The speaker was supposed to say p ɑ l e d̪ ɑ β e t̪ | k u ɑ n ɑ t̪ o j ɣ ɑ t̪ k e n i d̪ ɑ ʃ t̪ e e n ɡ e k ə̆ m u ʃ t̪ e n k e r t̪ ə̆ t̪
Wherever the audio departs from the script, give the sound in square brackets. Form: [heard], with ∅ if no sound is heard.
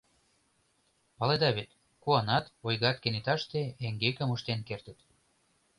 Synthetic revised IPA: p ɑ l e d̪ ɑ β e t̪ | k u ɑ n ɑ t̪ o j ɣ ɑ t̪ k e n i [t̪] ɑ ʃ t̪ e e [ŋ] ɡ e k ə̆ m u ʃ t̪ e n k e r t̪ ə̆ t̪